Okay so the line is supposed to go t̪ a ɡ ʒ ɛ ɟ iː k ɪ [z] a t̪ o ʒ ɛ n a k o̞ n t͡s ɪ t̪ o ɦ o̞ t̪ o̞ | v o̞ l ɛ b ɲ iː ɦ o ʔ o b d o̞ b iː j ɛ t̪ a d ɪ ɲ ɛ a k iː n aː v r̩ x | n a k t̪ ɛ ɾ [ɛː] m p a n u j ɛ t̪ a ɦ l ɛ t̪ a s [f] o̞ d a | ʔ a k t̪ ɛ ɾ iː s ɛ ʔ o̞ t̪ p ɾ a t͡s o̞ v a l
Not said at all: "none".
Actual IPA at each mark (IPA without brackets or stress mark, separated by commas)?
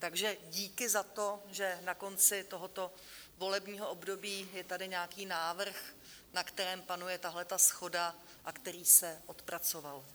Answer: z, ɛː, x